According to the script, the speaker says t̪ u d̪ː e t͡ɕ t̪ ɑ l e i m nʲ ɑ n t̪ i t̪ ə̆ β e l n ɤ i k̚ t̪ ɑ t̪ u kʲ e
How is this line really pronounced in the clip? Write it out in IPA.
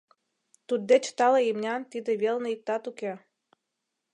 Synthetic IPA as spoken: t̪ u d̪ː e t͡ɕ t̪ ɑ l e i m nʲ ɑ n t̪ i d̪ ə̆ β e l n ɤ i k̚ t̪ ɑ t̪ u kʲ e